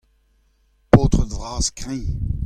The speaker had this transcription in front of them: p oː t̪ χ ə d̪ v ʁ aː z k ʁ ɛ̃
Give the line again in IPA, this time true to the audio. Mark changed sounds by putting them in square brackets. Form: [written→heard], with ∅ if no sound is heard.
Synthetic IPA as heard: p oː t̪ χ ə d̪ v ʁ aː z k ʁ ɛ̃